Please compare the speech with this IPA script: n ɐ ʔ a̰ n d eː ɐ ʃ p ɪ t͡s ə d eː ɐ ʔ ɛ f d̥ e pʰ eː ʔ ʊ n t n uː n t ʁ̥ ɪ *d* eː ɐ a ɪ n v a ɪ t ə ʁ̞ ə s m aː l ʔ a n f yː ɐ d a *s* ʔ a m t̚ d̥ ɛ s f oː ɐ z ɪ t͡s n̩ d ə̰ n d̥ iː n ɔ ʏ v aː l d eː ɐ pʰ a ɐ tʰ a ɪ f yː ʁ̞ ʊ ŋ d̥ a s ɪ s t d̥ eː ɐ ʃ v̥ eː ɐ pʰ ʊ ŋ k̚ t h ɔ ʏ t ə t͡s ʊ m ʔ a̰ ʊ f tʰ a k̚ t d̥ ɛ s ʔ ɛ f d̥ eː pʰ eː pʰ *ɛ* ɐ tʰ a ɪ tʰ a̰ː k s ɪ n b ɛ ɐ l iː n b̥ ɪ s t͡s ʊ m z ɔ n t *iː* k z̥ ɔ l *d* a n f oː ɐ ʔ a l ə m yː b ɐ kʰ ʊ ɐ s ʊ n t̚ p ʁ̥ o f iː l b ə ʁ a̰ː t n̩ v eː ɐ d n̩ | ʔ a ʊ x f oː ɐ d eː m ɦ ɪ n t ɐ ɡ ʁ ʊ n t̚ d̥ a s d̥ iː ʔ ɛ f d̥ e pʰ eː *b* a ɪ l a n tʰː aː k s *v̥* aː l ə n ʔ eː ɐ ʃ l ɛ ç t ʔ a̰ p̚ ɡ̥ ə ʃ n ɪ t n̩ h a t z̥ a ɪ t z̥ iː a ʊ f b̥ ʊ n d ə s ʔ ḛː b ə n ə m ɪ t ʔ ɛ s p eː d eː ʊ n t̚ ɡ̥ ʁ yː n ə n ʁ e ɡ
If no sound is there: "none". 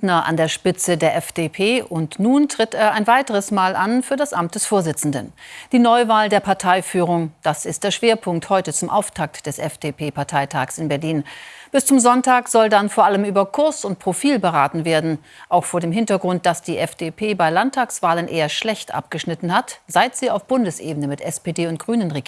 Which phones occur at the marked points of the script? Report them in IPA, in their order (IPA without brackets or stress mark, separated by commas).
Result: t, s, a, aː, d, b, v̥